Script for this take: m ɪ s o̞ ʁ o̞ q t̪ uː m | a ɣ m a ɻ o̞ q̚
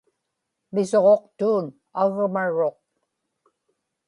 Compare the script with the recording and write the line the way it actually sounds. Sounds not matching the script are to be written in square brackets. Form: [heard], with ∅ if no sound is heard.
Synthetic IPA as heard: m ɪ s o̞ ʁ o̞ q t̪ uː [n] | a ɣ m a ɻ o̞ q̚